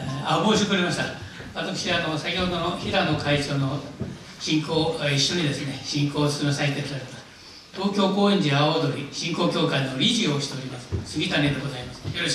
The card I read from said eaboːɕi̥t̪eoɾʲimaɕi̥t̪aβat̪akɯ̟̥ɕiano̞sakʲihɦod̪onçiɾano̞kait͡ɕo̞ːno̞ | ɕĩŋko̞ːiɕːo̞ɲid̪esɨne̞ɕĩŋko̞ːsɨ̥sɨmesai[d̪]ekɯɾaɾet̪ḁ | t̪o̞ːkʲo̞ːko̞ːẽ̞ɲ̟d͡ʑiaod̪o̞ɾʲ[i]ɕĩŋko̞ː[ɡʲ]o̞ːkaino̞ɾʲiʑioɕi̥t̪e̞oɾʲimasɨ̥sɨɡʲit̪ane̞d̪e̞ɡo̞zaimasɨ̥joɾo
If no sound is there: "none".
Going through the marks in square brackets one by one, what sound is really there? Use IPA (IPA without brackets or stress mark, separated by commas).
t̪, i, kʲ